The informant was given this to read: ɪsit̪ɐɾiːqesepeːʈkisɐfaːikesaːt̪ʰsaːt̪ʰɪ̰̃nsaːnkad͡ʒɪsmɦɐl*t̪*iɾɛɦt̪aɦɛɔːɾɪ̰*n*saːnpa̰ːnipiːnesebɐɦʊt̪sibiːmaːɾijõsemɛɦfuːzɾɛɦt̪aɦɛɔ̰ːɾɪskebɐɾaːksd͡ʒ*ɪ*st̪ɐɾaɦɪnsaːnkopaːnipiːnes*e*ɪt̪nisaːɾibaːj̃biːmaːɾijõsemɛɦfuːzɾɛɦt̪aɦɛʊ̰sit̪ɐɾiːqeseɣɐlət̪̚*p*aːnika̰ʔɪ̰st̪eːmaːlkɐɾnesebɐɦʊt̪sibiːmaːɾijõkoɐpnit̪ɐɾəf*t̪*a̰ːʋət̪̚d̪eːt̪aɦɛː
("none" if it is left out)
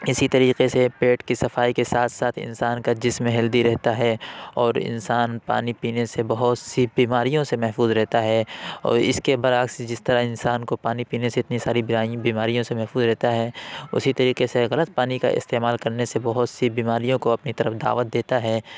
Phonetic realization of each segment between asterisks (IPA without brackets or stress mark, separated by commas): d̪, n, ɪ, e, p, d̪